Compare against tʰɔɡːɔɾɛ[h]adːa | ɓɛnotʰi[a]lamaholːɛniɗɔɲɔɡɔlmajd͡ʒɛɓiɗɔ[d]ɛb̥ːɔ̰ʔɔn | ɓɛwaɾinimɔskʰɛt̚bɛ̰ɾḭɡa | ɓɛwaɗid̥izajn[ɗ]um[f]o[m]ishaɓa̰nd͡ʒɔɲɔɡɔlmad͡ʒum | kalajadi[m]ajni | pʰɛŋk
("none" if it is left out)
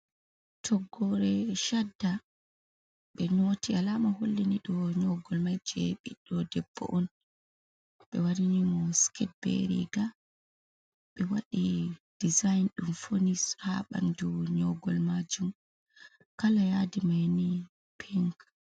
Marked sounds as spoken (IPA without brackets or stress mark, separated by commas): ʃ, a, d, ɗ, f, n, m